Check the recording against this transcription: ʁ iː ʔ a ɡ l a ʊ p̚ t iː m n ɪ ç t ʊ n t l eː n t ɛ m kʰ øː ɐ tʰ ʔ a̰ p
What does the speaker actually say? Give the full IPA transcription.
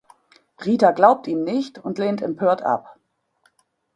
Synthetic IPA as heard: ʁ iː t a ɡ l a ʊ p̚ t iː m n ɪ ç t ʊ n t l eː n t ɛ m pʰ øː ɐ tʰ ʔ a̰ p